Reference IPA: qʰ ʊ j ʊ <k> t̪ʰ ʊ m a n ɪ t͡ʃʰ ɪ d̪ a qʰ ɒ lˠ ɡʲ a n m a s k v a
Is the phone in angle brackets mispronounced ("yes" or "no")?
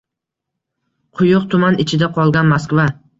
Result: yes